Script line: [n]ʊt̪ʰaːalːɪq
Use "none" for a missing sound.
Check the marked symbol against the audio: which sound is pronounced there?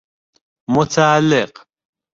m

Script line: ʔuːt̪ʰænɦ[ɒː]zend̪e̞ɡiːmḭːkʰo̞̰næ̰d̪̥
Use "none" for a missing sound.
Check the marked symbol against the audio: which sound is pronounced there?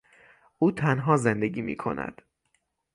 ɒː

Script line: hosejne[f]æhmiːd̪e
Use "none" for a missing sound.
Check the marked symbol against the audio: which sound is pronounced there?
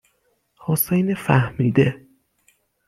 f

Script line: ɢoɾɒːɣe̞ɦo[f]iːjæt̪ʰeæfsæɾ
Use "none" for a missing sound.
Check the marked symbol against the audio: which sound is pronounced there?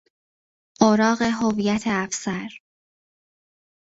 v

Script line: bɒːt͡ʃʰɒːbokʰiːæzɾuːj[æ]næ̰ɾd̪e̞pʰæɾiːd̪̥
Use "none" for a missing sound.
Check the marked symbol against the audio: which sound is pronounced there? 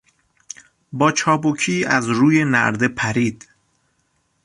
e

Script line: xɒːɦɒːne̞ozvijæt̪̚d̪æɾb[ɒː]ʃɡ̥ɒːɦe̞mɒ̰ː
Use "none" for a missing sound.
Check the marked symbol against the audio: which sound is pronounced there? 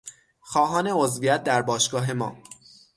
ɒː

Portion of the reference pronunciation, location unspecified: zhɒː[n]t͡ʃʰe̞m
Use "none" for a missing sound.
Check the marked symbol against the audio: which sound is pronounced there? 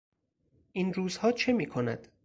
none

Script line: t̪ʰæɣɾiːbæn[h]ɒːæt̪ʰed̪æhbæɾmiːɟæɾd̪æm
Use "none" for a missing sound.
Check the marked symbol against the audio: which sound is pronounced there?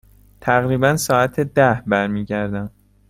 s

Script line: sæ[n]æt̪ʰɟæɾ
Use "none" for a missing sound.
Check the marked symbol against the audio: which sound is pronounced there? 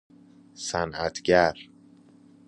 n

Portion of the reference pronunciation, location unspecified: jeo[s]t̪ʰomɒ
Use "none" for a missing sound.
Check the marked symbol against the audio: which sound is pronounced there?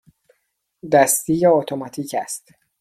none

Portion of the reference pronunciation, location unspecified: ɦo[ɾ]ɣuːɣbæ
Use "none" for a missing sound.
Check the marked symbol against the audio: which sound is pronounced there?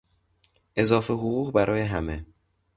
none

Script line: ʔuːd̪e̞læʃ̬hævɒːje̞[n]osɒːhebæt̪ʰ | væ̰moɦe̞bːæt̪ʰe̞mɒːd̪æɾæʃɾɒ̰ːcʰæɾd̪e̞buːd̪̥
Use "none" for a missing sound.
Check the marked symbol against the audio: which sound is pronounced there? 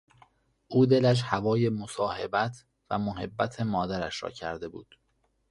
m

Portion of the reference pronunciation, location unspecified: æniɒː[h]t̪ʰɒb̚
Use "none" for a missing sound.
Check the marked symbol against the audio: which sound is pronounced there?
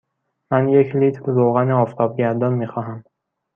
f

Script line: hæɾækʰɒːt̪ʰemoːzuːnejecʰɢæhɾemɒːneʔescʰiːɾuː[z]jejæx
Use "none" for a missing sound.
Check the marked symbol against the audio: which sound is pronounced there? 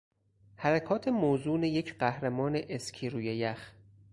none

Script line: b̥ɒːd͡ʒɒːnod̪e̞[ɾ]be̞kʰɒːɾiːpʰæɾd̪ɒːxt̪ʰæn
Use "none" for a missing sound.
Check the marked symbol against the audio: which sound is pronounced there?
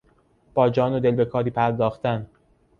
l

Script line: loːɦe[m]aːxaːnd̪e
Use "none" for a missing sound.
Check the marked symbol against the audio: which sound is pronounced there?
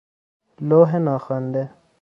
n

